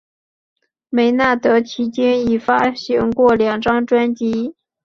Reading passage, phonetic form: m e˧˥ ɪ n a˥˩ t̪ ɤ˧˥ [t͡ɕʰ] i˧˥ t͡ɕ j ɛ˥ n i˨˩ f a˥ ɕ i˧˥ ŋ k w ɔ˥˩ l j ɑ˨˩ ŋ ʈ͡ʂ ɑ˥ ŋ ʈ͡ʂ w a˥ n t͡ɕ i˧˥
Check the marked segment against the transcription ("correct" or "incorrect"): correct